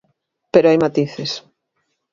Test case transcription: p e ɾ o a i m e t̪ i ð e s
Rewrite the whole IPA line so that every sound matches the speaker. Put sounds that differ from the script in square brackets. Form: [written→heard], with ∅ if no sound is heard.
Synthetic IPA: p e ɾ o a [i→j] m [e→a] t̪ i [ð→θ] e s